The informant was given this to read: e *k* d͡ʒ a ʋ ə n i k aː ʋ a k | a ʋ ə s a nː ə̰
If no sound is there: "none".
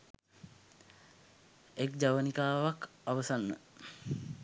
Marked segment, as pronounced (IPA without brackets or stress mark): k